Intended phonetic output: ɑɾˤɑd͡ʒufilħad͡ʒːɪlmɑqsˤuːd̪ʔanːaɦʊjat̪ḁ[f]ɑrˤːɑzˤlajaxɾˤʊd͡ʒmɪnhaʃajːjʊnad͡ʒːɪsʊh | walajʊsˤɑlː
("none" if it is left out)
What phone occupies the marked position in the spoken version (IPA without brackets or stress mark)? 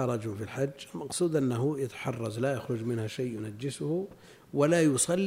ħ